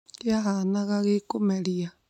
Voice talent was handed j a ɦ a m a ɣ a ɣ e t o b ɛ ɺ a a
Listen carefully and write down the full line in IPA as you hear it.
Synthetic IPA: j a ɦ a n a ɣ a ɣ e k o m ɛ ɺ i a